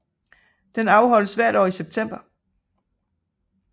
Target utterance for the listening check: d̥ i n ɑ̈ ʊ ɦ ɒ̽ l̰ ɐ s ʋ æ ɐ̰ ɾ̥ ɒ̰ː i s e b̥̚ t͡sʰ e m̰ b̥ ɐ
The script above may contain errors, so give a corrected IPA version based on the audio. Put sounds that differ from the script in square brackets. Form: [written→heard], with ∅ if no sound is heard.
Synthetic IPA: d̥ [i→e] n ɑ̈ ʊ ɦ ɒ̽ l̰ [ɐ→ə] s ʋ æ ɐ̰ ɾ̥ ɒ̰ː i s e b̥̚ t͡sʰ e m̰ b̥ ɐ

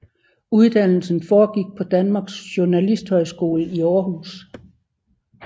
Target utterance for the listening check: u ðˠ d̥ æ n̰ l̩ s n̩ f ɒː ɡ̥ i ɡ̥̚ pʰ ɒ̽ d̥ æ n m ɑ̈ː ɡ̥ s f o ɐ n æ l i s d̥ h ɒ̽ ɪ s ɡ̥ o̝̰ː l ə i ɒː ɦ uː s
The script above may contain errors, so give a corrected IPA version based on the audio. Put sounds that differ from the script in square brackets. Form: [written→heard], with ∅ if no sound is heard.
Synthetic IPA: u ðˠ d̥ æ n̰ l̩ s n̩ f ɒː ɡ̥ i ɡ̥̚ pʰ ɒ̽ d̥ æ n m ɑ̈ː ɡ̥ s [f→ɕ] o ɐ n æ l i s d̥ h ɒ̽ ɪ s ɡ̥ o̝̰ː l ə i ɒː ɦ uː s

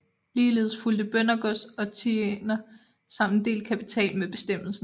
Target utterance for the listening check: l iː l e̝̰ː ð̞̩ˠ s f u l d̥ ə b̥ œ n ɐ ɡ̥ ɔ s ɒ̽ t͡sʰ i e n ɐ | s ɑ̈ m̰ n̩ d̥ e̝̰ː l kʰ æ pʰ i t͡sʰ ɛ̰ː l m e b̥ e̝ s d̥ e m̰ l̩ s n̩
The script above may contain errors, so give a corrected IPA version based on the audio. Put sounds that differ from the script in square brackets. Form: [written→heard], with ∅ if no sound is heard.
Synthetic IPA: l iː l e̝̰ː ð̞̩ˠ s f u l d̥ ə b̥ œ n ɐ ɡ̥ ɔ s ɒ̽ t͡sʰ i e n ɐ | s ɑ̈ m̰ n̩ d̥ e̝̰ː l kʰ æ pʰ i t͡sʰ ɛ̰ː l m e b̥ e̝ s d̥ e m̰ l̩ s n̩

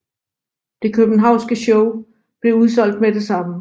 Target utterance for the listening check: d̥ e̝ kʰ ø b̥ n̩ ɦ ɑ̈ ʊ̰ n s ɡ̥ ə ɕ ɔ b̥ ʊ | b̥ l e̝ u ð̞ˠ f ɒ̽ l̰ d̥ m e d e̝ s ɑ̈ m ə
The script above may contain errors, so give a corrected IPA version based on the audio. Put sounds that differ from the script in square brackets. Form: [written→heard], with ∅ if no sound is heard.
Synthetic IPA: d̥ e̝ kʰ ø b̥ n̩ ɦ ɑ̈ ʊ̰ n s ɡ̥ ə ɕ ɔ [b̥→∅] ʊ | b̥ l e̝ u ð̞ˠ [f→s] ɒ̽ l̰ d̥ m e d e̝ s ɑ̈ m ə

